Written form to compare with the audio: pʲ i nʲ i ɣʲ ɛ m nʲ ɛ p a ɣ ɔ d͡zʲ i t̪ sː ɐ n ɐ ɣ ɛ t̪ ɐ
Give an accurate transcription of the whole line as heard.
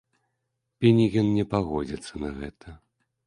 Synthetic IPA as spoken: pʲ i nʲ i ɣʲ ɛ n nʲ ɛ p a ɣ ɔ d͡zʲ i t̪ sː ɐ n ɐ ɣ ɛ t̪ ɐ